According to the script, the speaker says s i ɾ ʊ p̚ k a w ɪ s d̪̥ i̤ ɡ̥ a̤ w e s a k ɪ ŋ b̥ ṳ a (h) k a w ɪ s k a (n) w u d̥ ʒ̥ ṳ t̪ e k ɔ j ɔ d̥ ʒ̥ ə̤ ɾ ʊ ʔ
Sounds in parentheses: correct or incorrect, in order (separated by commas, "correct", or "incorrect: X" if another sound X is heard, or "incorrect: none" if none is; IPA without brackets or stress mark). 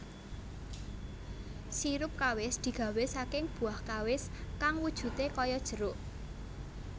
correct, incorrect: ŋ